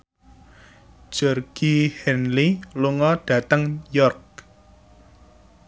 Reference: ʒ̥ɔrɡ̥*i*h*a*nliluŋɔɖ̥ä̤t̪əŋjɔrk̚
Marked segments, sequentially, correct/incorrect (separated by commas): correct, incorrect